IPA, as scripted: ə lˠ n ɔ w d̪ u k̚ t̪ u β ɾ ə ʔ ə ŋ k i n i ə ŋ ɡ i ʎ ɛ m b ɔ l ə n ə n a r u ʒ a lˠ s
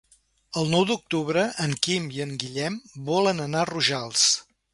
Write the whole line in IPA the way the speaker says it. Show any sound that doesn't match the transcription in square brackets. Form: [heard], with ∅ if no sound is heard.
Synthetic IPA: ə lˠ n ɔ w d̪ u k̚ t̪ u β ɾ ə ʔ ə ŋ k i [m] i ə ŋ ɡ i ʎ ɛ m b ɔ l ə n ə n a r u ʒ a lˠ s